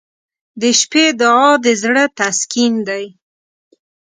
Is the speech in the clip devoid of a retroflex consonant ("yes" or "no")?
no